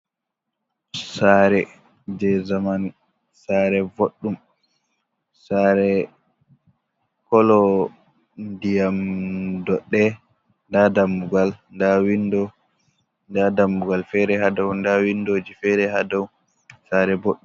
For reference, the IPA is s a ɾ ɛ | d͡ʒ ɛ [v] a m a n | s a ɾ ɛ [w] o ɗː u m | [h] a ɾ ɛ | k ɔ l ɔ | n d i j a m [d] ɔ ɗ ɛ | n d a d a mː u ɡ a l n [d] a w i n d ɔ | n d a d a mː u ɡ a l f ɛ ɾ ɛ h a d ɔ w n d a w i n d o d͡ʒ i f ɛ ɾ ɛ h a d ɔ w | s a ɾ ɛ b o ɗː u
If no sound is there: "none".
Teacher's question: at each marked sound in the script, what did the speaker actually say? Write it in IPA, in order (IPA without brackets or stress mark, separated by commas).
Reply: z, v, s, d, d